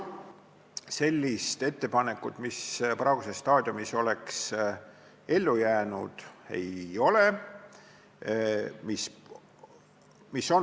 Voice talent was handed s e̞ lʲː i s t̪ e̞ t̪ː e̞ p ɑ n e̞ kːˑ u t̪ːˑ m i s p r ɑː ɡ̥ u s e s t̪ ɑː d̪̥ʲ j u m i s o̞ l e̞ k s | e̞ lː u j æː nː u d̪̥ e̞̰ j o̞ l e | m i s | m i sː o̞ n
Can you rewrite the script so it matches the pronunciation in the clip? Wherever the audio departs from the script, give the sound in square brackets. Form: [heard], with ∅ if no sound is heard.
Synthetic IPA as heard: s e̞ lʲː i s t̪ e̞ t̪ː e̞ p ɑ n e̞ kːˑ u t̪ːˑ m i s p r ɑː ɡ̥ u s e s t̪ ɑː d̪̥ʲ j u m i s o̞ l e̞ k s | e̞ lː u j æː [n] u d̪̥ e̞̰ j o̞ l e | m i s | m i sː o̞ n